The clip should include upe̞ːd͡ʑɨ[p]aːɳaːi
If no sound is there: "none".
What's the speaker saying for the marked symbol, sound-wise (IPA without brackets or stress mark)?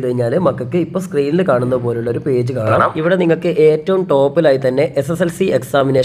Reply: k